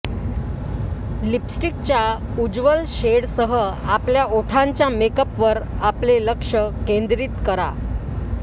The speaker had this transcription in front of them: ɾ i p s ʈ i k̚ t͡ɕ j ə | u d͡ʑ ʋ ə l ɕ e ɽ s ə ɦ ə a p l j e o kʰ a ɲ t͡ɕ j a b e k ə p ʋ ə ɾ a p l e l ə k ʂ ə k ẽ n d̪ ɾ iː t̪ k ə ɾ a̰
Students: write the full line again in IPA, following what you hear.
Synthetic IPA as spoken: l i p s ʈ i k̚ t͡ɕ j a | u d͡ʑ ʋ ə l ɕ e ɽ s ə ɦ ə a p l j a o ʈʰ a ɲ t͡ɕ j a m e k ə p ʋ ə ɾ a p l e l ə k ʂ ə k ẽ n d̪ ɾ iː t̪ k ə ɾ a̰